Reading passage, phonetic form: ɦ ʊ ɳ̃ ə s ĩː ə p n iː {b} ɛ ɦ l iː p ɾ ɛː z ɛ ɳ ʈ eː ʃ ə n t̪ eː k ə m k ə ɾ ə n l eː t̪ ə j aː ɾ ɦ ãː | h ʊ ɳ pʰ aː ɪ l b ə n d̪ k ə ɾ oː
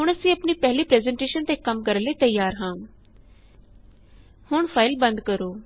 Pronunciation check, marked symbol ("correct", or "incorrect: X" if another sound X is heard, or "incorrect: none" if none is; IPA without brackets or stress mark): incorrect: p